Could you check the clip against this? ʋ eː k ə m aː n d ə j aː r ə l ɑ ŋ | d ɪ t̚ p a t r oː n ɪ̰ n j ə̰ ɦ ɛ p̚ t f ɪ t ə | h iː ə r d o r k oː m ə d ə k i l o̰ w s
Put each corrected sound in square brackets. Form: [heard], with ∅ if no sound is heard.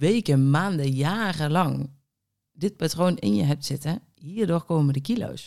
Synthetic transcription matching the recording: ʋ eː k ə m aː n d ə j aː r ə l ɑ ŋ | d ɪ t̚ p a t r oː n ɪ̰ n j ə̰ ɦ ɛ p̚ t [s] ɪ t ə | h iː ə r d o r k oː m ə d ə k i l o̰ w s